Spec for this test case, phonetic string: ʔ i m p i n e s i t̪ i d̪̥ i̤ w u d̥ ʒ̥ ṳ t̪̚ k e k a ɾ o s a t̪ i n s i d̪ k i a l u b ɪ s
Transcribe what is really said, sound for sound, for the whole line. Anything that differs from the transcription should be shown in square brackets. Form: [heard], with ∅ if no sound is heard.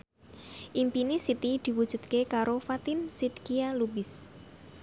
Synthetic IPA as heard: ʔ i m p i n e s i t̪ i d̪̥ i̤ w u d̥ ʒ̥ ṳ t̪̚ k e k a ɾ o [f] a t̪ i n s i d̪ k i a l u b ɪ s